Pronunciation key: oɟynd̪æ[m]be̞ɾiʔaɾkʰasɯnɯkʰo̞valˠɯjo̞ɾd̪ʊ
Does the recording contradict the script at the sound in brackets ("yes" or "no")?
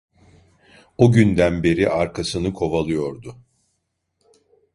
yes